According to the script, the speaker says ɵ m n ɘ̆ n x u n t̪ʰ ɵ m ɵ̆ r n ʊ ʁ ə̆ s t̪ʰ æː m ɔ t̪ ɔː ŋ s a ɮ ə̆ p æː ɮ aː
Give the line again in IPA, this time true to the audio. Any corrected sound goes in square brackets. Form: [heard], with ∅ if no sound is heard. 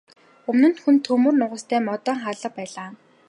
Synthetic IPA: ɵ m n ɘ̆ n x u n t̪ʰ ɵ m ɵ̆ r n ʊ ʁ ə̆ s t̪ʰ æː m ɔ t̪ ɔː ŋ [χ] a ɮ ə̆ p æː ɮ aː